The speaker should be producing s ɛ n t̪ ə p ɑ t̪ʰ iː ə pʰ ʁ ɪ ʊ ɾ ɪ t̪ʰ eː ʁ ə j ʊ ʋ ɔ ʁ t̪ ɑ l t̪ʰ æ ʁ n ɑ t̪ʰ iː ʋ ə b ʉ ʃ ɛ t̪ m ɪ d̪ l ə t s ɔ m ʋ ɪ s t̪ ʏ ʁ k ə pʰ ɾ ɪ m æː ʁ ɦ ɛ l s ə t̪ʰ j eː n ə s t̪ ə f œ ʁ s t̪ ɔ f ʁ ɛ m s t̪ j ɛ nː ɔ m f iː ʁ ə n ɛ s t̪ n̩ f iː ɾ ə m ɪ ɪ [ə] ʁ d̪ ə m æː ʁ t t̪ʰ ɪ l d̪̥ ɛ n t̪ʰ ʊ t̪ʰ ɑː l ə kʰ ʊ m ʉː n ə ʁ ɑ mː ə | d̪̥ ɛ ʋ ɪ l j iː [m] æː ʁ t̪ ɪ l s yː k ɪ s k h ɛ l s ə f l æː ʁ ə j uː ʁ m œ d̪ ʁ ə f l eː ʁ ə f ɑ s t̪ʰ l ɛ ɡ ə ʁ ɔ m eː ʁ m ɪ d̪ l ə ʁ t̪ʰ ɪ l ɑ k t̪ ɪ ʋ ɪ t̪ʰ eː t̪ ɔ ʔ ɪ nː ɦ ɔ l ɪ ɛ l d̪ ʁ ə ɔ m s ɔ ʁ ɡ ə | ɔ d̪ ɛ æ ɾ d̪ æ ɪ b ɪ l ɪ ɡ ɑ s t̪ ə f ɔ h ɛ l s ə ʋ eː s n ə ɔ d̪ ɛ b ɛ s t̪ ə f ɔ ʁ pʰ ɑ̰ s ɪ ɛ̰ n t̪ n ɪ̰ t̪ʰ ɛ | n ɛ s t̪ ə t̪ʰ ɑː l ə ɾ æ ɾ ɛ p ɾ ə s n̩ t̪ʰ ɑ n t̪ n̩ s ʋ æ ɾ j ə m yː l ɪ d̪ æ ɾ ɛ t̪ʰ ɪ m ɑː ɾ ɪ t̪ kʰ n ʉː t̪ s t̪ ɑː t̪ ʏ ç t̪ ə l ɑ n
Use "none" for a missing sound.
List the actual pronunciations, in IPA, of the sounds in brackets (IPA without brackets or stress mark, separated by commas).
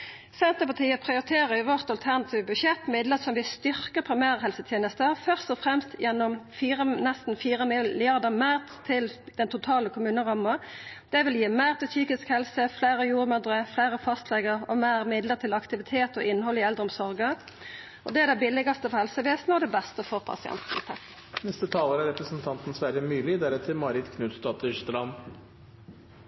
ɑ, m